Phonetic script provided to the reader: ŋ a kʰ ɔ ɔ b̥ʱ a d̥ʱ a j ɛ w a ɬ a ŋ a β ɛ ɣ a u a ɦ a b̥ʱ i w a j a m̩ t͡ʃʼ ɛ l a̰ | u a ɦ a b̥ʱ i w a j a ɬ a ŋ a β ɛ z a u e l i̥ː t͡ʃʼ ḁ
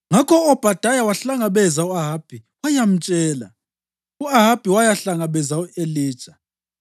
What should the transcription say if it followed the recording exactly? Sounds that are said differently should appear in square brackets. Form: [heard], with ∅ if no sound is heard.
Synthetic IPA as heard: ŋ a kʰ ɔ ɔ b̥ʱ a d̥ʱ a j [a] w a ɬ a ŋ a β ɛ [z] a u a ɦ a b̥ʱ i w a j a m̩ t͡ʃʼ [ɛː] l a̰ | u a ɦ a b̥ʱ i w a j a ɬ a ŋ a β ɛ z a u e l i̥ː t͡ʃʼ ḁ